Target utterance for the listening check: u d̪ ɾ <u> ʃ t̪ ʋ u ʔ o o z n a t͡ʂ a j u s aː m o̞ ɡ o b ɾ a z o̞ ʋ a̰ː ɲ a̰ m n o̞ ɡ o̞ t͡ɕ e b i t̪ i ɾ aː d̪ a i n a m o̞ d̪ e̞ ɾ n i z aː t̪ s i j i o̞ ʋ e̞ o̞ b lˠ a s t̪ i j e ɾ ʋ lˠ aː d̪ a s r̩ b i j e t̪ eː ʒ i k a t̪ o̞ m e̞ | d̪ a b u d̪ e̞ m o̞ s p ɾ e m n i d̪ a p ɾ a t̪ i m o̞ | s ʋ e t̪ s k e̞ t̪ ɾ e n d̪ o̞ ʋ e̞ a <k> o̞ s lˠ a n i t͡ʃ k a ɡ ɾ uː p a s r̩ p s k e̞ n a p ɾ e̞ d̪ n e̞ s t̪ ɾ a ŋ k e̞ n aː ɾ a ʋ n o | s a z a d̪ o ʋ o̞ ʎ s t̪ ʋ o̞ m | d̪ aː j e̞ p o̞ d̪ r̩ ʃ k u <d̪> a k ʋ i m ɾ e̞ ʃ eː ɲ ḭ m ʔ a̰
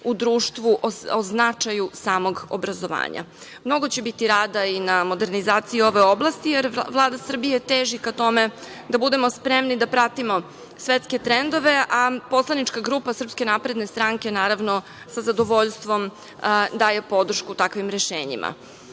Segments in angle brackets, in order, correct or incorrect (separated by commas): incorrect, incorrect, incorrect